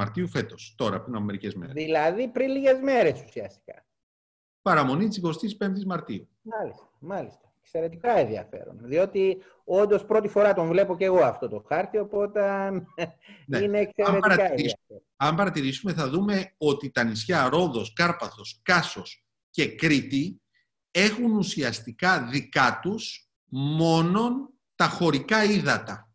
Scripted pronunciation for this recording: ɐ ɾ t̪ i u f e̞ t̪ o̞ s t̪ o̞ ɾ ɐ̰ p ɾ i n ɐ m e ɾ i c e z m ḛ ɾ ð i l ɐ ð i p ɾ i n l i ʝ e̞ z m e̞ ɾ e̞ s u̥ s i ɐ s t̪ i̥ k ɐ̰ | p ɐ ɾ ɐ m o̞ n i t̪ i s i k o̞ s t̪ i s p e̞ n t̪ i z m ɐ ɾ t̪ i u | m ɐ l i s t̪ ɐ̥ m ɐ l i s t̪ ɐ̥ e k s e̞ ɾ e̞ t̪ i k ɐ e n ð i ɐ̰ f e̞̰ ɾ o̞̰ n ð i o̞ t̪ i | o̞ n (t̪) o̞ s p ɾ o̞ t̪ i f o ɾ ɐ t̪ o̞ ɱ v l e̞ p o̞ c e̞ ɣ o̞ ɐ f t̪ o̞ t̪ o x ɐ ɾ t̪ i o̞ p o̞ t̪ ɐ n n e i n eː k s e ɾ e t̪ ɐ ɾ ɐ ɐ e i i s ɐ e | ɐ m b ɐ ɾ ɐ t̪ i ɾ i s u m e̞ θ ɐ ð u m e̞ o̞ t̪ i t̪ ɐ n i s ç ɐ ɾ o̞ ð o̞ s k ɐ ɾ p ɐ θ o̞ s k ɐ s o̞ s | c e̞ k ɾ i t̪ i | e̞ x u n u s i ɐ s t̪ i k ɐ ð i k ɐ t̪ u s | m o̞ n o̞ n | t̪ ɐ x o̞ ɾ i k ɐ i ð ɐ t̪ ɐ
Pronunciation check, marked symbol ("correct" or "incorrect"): incorrect